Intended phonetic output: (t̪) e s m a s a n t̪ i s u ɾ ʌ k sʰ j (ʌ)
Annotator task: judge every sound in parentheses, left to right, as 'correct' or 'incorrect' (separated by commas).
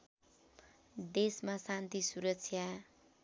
incorrect, incorrect